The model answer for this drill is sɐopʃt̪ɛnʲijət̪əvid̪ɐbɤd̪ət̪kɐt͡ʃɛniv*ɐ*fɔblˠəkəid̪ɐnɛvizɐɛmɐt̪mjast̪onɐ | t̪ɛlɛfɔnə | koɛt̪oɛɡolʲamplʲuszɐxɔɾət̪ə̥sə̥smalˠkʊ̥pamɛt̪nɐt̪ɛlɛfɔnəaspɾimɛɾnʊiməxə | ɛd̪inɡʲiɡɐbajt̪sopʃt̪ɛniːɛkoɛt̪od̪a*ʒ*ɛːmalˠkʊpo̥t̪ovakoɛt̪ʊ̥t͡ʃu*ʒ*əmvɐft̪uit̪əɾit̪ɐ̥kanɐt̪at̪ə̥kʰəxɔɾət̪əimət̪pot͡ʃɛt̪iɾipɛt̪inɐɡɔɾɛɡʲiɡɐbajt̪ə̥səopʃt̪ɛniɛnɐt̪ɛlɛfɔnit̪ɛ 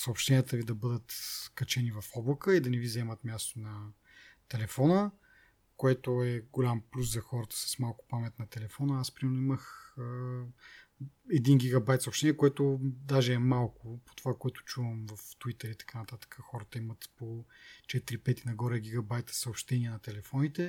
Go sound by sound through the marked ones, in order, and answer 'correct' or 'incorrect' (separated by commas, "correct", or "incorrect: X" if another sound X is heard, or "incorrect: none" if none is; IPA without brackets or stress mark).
correct, correct, incorrect: v